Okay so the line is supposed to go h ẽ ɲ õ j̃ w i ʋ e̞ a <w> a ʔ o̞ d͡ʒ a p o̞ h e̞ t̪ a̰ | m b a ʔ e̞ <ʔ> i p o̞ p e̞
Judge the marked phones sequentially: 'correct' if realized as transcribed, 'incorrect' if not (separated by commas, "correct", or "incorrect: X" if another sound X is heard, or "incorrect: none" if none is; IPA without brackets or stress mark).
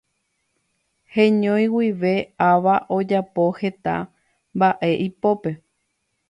incorrect: ʋ, correct